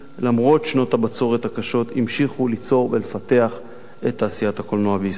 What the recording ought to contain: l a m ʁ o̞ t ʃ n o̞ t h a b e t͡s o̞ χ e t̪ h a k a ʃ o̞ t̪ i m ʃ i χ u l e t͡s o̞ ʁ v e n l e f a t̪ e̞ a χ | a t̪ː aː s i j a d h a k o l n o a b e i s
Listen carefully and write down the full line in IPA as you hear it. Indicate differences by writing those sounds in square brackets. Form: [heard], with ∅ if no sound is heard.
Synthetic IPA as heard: l a m ʁ o̞ t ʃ n o̞ t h a b [a] t͡s o̞ [ʁ] e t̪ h a k a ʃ o̞ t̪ i m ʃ i χ u l [i] t͡s o̞ ʁ v e [∅] l e f a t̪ e̞ a χ | [e] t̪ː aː s i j a [t] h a k o l n o a b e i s